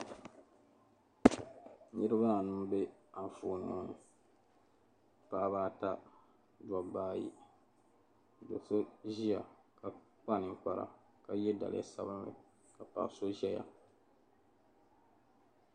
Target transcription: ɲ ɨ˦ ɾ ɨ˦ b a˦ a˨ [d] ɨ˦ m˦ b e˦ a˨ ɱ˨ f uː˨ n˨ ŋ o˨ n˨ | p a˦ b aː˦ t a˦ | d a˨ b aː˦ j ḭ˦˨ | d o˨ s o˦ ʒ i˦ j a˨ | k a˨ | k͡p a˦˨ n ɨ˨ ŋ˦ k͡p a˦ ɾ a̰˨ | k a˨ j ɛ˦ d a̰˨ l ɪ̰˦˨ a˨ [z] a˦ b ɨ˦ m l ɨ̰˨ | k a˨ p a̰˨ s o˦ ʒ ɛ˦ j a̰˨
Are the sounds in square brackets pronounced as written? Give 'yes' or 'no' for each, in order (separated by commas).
no, no